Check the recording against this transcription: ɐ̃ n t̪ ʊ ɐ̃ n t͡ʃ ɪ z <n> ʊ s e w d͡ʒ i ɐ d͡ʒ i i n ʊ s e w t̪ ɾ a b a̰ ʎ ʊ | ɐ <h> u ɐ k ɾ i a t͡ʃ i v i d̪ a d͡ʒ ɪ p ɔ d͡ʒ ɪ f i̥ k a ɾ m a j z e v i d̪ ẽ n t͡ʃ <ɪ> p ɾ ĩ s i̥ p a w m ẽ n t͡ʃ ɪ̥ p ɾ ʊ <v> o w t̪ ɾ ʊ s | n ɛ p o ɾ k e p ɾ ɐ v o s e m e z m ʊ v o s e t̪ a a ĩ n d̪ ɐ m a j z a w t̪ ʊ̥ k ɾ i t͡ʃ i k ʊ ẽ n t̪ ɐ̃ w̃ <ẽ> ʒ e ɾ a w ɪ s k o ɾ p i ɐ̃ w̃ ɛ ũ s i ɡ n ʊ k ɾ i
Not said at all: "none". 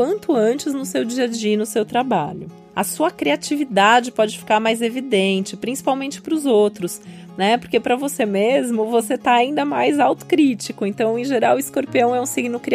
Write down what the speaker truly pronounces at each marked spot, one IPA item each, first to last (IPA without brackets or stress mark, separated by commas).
n, s, ɪ, z, ẽ